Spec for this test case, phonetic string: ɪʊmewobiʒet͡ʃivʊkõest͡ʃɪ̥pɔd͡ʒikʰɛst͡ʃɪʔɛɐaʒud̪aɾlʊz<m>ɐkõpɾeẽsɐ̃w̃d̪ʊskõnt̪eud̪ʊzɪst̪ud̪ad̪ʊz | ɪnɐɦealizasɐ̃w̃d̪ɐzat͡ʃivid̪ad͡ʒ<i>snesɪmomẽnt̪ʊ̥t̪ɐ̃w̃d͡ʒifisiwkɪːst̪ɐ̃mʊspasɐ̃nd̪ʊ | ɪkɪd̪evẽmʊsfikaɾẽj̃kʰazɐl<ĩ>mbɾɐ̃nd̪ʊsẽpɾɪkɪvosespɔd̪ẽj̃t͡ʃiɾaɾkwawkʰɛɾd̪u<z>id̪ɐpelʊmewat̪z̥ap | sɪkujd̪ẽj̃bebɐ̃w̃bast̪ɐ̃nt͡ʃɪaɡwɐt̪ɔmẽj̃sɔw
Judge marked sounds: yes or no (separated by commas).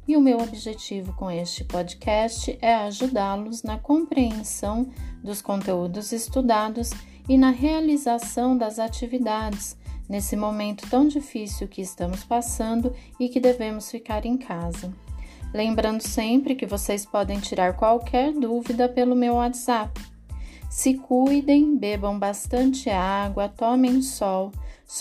no, no, no, no